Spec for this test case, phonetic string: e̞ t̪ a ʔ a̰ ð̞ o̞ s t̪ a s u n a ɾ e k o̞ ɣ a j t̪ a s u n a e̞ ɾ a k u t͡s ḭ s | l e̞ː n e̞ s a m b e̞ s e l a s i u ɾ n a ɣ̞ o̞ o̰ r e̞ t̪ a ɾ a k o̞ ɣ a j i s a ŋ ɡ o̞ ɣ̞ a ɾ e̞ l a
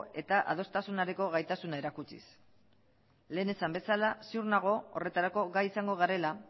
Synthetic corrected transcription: e̞ t̪ a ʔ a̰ ð̞ o̞ s t̪ a s u n a ɾ e k o̞ ɣ a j t̪ a s u n a e̞ ɾ a k u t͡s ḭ s | l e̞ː n e̞ s a m b e̞ s a l a s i u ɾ n a ɣ̞ o̞ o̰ r e̞ t̪ a ɾ a k o̞ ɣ a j i s a ŋ ɡ o̞ ɣ̞ a ɾ e̞ l a